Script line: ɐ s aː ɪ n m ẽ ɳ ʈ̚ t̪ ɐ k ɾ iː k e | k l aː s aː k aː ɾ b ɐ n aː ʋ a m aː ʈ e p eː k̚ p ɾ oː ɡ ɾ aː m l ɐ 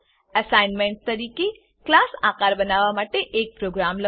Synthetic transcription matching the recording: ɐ s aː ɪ n m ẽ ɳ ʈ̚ t̪ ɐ ɾ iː k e | k l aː s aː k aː ɾ b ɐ n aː ʋ a m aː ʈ e ʔ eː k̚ p ɾ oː ɡ ɾ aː m l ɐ